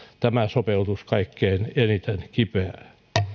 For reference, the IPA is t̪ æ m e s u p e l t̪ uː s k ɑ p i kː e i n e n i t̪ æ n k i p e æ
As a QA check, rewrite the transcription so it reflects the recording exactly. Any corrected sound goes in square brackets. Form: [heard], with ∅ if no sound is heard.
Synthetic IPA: t̪ æ m [æ] s [o] p e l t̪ [u] s k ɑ [∅] i kː e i n e n i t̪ [e] n k i p e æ